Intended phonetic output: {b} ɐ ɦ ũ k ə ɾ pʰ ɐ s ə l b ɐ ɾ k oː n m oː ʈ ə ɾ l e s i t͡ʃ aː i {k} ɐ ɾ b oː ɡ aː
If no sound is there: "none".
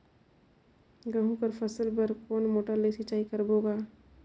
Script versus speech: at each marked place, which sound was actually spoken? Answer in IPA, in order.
ɡ, k

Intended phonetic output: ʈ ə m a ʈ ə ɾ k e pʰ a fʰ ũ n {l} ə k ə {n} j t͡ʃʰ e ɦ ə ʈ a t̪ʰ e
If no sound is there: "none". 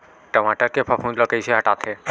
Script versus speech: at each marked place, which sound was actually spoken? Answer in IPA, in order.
l, none

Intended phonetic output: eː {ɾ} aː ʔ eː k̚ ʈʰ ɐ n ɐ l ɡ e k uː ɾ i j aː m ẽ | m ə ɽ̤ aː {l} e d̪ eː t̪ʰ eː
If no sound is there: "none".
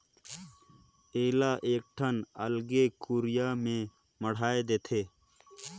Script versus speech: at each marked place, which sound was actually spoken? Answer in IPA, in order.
l, none

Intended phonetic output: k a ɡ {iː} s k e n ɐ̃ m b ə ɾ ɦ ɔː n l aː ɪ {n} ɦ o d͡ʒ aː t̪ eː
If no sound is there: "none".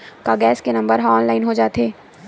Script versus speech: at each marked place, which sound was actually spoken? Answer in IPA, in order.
ɛː, n

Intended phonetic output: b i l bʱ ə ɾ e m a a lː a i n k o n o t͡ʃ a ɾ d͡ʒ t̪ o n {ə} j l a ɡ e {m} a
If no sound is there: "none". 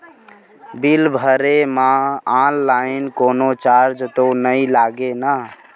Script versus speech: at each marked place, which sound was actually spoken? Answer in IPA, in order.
ə, n

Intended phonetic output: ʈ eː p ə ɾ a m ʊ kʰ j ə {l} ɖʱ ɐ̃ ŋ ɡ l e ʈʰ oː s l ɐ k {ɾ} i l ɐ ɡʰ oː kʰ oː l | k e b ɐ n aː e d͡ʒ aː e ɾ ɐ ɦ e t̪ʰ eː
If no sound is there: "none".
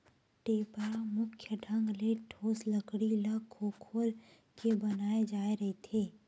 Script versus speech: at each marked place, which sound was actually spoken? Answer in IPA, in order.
none, ɽ

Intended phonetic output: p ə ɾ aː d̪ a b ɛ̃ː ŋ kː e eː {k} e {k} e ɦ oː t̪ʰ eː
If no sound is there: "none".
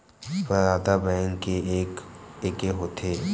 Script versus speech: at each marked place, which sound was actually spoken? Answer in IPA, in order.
k, k

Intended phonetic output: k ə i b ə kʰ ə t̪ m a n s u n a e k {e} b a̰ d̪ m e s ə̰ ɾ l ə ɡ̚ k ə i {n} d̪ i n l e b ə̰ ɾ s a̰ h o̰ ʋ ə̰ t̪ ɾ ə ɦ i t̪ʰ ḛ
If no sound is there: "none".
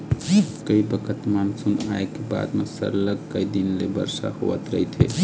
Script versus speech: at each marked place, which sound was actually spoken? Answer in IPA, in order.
e, none

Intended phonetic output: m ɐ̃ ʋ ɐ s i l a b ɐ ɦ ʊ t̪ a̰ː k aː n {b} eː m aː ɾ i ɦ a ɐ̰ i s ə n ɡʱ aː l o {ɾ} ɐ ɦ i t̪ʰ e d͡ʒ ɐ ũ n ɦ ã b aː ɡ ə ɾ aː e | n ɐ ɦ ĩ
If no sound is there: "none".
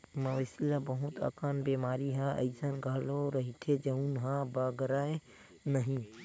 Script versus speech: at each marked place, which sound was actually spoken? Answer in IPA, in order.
b, ɾ

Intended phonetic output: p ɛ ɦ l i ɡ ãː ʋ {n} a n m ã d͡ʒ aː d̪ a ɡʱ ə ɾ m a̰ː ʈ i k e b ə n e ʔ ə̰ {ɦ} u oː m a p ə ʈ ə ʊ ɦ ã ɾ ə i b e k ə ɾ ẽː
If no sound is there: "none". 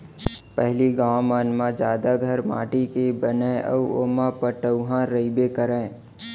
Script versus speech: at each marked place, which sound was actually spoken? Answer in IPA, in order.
m, none

